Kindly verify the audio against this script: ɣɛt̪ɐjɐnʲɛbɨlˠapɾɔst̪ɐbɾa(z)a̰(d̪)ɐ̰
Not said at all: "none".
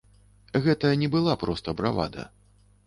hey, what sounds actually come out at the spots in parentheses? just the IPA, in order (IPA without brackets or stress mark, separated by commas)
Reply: v, d̪